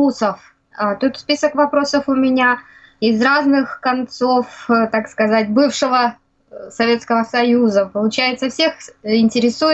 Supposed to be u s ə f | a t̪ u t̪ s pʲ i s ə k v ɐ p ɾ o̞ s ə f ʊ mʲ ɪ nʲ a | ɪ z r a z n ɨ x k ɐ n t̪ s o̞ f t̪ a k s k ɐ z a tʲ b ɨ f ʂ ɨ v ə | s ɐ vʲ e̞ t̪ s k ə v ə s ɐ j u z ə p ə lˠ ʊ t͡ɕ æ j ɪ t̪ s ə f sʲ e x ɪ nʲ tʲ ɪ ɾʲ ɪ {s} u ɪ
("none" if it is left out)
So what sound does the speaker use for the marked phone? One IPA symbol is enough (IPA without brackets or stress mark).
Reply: s